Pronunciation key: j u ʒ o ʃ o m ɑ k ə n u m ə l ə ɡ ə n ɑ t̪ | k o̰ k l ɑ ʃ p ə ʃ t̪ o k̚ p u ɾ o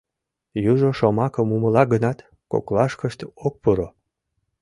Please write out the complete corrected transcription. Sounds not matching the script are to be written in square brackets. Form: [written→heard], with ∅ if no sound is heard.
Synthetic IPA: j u ʒ o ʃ o m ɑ k ə [n→m] u m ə l [ə→ɑ] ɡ ə n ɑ t̪ | k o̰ k l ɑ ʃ [p→k] ə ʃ t̪ o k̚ p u ɾ o